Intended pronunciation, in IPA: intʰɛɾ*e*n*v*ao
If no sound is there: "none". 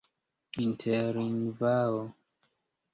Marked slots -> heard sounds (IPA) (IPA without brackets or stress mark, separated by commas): i, v